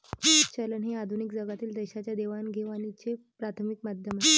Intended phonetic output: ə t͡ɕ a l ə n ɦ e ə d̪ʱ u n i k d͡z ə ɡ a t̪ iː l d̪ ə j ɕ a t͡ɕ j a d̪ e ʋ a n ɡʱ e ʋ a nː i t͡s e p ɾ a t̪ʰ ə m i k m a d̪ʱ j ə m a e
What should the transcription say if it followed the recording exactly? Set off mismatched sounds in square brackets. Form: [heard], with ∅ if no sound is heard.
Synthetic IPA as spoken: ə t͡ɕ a l ə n ɦ e [a] d̪ʱ u n i k d͡z ə ɡ a t̪ iː l d̪ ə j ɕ a t͡ɕ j a d̪ e ʋ a n ɡʱ e ʋ a [n] i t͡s e p ɾ a t̪ʰ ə m i k m a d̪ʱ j ə m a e